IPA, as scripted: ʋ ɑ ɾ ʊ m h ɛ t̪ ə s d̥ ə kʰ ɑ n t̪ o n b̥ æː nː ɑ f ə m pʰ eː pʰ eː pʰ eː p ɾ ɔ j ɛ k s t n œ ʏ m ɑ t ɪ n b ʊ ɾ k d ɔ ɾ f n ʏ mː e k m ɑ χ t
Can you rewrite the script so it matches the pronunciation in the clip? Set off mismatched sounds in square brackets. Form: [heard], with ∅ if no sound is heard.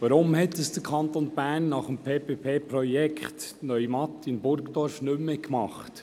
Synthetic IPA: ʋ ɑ ɾ ʊ m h ɛ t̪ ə s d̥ ə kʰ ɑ n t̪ o n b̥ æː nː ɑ [χ] ə m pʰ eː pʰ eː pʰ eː p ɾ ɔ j ɛ k [χ] t n œ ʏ m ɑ t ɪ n b ʊ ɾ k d ɔ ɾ f n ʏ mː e k m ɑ χ t